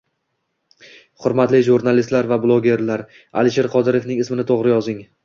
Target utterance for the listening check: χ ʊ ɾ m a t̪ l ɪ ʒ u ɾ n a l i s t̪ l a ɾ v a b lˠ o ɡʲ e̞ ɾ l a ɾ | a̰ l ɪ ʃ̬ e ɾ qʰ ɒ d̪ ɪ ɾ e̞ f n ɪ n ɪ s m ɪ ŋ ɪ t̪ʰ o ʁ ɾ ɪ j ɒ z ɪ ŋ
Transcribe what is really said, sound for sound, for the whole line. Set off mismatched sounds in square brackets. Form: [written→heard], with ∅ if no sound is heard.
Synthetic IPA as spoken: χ ʊ ɾ m a t̪ l ɪ ʒ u ɾ n a l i s t̪ l a ɾ v a b lˠ o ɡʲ e̞ ɾ l a ɾ | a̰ l ɪ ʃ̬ e ɾ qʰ ɒ d̪ ɪ ɾ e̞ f n ɪ [n→ŋ] ɪ s m ɪ [ŋ→n] ɪ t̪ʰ o ʁ ɾ ɪ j ɒ z ɪ ŋ